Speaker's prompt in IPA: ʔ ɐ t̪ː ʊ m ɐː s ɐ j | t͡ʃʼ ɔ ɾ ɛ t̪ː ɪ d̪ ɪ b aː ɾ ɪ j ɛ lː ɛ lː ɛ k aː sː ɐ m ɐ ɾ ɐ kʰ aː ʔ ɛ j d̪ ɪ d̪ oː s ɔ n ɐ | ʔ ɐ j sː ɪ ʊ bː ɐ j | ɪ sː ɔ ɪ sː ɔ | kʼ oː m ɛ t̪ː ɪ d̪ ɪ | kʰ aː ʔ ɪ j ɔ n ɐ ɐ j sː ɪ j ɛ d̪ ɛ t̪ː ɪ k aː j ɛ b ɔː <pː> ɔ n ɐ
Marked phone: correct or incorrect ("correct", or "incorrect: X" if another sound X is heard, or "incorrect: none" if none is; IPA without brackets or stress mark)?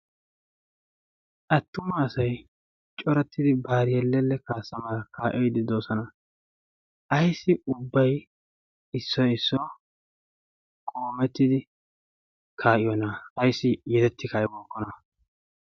incorrect: kː